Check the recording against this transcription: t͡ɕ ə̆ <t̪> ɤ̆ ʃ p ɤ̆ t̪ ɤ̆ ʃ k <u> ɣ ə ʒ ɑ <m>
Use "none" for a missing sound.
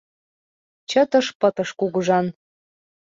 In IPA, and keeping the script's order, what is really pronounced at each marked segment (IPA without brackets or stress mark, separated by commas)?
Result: t̪, u, n